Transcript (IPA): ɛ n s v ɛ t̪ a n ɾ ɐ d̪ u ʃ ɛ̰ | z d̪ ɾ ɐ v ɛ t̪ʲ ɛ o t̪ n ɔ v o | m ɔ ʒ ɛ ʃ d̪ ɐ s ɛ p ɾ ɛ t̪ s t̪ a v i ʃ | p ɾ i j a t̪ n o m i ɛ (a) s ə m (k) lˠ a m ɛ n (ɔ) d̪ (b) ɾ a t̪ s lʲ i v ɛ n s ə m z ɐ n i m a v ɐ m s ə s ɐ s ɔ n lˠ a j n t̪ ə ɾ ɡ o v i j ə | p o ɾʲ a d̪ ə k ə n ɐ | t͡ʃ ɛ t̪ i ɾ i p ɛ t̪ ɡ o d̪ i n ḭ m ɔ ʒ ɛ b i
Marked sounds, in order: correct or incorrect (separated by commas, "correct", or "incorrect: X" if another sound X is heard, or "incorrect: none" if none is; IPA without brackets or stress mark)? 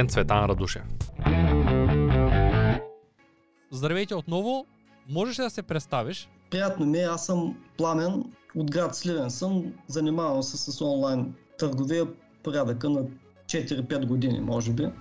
correct, incorrect: p, incorrect: o, incorrect: ɡ